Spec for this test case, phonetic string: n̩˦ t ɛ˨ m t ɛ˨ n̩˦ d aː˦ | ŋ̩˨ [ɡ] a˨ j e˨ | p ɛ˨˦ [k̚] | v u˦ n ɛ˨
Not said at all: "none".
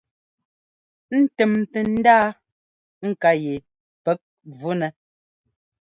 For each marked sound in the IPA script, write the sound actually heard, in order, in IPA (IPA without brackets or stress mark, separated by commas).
k, k̚